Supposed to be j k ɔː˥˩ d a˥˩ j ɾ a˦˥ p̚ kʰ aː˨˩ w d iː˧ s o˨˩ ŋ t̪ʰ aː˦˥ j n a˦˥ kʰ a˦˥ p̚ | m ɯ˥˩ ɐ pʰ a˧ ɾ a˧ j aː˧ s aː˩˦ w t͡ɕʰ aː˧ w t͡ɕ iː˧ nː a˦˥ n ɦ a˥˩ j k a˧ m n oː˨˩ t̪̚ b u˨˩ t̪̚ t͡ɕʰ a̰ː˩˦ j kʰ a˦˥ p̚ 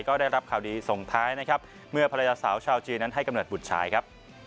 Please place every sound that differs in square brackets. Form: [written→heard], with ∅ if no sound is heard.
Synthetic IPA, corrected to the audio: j k ɔː˥˩ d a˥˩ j ɾ a˦˥ p̚ kʰ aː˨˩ w d iː˧ s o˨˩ ŋ t̪ʰ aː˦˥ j n a˦˥ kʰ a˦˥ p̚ | m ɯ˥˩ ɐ pʰ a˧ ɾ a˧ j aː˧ s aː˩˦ w t͡ɕʰ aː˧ w t͡ɕ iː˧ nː a˦˥ n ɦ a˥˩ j k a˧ m n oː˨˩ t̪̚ b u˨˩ t̪̚ t͡ɕʰ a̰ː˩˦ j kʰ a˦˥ p̚